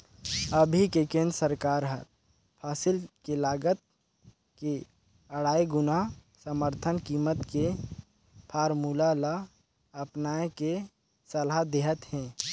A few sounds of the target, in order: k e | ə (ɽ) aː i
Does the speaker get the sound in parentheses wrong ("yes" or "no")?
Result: no